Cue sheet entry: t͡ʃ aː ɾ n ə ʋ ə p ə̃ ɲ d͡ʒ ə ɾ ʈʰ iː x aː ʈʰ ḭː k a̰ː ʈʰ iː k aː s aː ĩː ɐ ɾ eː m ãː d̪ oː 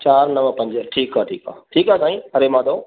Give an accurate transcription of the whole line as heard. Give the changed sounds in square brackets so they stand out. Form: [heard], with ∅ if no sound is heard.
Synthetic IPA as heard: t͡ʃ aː ɾ n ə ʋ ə p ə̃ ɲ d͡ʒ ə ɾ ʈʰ iː [k] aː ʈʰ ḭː k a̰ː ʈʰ iː k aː s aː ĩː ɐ ɾ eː m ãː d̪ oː